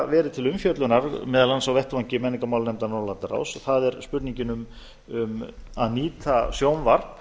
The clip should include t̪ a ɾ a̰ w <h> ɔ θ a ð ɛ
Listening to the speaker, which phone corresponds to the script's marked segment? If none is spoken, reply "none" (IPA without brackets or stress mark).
s